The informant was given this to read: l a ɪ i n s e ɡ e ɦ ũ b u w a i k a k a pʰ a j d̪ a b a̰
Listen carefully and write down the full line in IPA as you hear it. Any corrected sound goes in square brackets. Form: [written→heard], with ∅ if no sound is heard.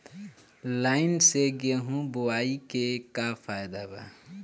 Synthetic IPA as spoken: l a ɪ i n s e ɡ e ɦ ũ b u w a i k [a→e] k a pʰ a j d̪ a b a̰